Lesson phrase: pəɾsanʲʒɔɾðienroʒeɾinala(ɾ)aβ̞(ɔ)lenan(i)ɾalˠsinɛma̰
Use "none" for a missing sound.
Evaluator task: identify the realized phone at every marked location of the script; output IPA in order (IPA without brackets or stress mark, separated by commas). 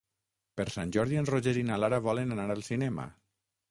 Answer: ɾ, ɔ, a